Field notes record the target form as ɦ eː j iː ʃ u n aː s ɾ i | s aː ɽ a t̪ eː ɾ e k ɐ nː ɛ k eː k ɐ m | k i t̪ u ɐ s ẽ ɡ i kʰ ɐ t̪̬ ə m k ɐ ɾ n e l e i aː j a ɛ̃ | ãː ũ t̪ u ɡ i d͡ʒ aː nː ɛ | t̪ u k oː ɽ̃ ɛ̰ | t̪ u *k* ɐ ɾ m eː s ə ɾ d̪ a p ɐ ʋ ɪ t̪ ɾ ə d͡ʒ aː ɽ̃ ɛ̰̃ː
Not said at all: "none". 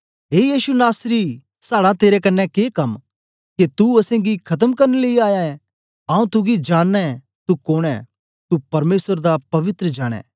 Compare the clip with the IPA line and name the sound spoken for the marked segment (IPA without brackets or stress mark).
p